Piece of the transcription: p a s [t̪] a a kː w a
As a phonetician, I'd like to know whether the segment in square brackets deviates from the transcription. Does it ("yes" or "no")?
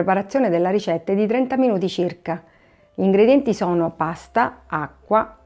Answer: no